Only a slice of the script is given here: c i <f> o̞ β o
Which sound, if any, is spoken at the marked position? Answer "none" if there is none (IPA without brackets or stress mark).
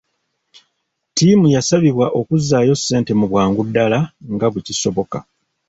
s